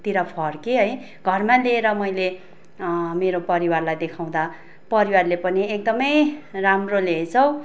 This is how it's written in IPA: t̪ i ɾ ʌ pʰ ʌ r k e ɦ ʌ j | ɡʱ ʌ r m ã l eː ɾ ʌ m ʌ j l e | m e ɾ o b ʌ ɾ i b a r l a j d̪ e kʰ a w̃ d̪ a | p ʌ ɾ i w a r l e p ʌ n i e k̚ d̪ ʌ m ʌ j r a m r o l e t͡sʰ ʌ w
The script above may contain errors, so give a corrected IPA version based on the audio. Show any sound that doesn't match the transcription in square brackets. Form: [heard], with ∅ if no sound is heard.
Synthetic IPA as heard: t̪ i ɾ ʌ pʰ ʌ r k e ɦ ʌ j | ɡʱ ʌ r m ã l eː ɾ ʌ m ʌ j l e | m e ɾ o [p] ʌ ɾ i [w] a r l a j d̪ e kʰ a w̃ d̪ a | p ʌ ɾ i w a r l e p ʌ n i e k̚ d̪ ʌ m ʌ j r a m r o l e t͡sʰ ʌ w